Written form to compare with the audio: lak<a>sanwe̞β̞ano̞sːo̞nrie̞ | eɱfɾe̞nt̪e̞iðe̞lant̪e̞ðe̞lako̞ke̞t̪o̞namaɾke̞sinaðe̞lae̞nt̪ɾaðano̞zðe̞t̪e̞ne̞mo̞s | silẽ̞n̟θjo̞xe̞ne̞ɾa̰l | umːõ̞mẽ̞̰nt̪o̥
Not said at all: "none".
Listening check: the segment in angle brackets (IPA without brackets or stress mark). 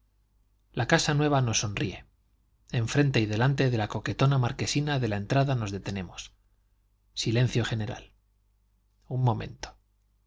a